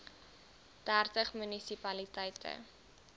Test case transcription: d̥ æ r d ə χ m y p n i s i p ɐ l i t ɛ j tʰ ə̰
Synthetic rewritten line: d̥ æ r t ə χ m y n i s i p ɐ l i t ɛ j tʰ ə̰